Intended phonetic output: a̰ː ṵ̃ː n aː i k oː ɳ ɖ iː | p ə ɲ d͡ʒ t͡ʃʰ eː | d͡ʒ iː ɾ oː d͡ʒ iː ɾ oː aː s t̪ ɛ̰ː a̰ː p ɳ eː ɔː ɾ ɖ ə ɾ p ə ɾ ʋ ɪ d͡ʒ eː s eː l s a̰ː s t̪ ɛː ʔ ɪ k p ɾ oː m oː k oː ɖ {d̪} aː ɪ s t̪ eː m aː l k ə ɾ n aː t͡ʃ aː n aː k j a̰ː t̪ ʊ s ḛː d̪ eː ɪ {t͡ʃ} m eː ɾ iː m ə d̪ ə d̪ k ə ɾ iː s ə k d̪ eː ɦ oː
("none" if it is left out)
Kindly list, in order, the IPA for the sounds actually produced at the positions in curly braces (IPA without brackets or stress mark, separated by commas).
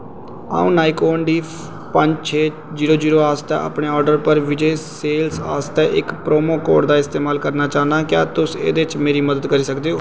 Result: d̪, t͡ʃ